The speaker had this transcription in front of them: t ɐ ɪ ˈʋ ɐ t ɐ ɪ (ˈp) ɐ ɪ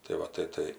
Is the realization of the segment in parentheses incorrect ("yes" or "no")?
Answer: yes